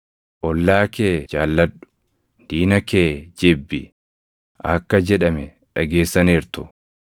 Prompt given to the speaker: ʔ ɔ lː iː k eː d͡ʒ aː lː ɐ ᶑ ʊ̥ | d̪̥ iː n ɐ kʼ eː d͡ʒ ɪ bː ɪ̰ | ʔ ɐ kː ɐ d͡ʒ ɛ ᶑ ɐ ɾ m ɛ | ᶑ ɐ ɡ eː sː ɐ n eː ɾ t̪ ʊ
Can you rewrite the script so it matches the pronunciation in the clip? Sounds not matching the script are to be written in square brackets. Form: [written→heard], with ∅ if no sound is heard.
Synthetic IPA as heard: ʔ ɔ lː [iː→aː] k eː d͡ʒ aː lː ɐ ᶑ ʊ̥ | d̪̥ iː n ɐ [kʼ→k] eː d͡ʒ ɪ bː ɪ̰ | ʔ ɐ kː ɐ d͡ʒ ɛ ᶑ ɐ [ɾ→∅] m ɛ | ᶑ ɐ ɡ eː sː ɐ n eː ɾ t̪ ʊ